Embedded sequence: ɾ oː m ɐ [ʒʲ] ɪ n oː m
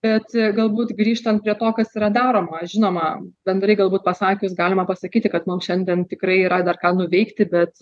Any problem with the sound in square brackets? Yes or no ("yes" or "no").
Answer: no